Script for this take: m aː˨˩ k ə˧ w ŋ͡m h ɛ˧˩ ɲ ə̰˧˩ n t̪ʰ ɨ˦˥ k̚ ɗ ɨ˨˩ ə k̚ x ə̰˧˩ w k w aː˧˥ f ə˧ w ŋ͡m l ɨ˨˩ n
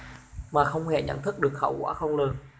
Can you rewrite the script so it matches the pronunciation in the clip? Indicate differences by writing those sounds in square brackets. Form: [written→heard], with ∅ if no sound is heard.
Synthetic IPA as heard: m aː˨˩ [k→x] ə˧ w ŋ͡m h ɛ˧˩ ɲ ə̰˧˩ n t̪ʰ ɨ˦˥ k̚ ɗ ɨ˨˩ ə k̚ x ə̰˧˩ w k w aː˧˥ [f→x] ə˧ w ŋ͡m l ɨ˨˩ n